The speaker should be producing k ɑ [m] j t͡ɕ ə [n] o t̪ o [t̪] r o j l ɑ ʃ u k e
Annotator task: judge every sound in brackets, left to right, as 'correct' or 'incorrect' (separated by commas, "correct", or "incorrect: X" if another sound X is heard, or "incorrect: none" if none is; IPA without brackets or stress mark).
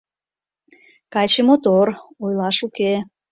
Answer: incorrect: none, incorrect: m, incorrect: none